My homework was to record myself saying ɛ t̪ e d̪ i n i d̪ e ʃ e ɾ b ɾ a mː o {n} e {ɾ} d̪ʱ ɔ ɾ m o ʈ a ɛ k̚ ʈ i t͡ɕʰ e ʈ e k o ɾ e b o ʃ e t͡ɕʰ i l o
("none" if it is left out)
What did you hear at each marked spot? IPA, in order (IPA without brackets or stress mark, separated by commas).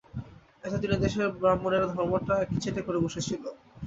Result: n, ɾ